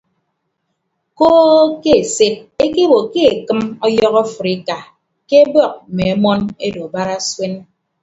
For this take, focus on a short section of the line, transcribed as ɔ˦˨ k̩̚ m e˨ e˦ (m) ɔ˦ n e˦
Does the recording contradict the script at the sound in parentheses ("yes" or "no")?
no